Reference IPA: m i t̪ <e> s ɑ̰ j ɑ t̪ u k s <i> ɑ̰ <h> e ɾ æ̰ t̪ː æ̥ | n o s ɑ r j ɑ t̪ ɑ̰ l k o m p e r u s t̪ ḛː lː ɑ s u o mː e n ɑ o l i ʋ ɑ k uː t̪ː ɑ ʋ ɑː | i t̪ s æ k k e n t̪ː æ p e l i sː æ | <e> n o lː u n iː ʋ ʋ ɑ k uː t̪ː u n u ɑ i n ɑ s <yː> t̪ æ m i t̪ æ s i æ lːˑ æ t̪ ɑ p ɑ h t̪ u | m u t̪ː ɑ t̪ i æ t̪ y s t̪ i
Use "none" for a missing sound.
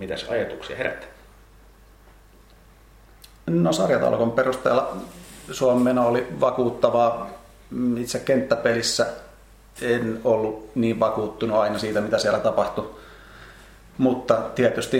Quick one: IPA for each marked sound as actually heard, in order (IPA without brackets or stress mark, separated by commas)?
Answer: æ, i, h, e, iː